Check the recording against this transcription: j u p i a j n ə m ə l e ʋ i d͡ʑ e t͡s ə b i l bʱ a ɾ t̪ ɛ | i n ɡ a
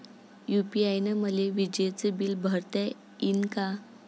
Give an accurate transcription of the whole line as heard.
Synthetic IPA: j u p i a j n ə m ə l e ʋ i d͡ʑ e t͡s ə b i l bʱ ə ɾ t̪ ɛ | i n k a